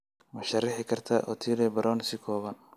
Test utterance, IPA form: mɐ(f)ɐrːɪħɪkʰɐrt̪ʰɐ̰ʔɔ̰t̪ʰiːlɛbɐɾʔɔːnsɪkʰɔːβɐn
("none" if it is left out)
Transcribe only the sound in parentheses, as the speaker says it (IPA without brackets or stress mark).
ʃ